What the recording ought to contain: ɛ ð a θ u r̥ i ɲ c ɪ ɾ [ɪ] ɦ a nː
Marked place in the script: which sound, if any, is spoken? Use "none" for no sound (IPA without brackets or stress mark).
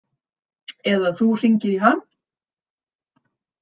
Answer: i